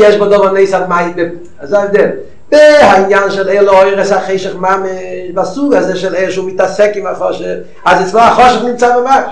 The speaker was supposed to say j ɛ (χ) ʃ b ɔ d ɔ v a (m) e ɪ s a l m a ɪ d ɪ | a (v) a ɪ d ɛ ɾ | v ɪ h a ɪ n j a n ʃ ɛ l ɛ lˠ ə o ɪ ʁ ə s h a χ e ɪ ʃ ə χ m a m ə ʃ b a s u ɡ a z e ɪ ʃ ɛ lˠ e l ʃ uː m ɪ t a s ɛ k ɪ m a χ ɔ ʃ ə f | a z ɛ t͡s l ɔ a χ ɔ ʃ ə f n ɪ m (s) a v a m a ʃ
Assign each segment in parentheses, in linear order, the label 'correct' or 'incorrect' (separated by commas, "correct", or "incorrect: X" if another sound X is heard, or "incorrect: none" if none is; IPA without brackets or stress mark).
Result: incorrect: none, incorrect: n, incorrect: z, incorrect: t͡s